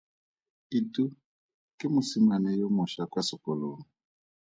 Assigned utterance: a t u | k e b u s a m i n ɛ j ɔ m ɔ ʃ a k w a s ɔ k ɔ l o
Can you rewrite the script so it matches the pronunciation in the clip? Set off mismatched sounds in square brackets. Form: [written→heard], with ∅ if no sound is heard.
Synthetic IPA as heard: [a→i] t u | k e [b→m] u s [a→i] m [i→a] n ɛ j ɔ m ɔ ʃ a k w a s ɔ k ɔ l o